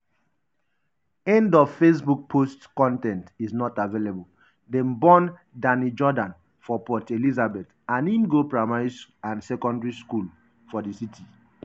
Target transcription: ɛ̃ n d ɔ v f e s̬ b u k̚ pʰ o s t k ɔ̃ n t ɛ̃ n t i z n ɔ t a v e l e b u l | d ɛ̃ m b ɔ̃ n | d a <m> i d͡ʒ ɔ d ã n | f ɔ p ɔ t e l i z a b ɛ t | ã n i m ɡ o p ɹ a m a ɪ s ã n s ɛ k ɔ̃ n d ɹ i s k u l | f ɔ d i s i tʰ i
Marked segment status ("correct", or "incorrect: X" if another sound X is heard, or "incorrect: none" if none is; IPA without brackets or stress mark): incorrect: n